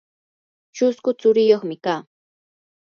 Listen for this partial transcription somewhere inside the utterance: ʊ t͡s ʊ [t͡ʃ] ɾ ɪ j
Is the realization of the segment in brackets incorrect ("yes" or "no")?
yes